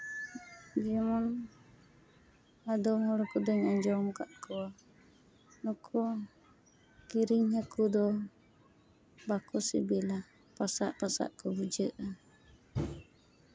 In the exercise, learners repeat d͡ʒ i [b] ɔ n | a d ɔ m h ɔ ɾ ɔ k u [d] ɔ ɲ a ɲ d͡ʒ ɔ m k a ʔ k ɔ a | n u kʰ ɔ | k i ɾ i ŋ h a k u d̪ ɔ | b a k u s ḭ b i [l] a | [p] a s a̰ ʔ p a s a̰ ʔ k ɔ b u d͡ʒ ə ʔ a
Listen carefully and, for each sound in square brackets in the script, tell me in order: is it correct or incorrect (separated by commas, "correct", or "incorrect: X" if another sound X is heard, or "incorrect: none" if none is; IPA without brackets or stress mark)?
incorrect: m, correct, correct, correct